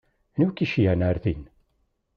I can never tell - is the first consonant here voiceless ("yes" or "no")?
no